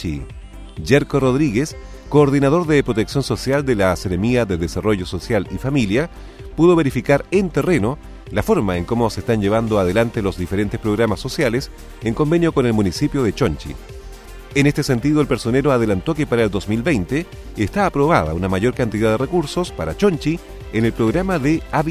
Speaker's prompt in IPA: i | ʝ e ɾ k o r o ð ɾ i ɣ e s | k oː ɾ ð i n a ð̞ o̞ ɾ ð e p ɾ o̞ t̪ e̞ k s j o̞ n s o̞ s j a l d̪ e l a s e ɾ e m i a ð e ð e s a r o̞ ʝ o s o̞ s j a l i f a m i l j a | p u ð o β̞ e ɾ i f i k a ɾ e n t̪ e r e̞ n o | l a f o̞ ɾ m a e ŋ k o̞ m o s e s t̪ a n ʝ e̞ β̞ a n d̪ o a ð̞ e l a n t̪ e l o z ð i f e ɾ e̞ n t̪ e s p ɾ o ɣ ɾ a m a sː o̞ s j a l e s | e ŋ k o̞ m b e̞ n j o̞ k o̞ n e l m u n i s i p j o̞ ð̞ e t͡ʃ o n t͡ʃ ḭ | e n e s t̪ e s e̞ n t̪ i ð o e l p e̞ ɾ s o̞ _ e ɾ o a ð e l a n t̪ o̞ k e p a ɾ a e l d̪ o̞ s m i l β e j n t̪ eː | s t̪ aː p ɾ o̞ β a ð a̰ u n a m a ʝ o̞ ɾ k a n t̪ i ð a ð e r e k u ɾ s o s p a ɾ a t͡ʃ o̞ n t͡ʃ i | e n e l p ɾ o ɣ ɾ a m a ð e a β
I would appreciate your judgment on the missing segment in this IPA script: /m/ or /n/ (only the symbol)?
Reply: n